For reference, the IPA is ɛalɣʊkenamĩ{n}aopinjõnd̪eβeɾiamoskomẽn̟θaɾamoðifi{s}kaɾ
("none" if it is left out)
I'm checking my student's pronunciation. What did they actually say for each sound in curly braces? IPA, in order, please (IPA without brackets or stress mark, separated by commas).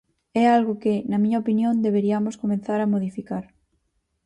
ɲ, none